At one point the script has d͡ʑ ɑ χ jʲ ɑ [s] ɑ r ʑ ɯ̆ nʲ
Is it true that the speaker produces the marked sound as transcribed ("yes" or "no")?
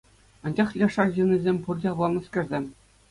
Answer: no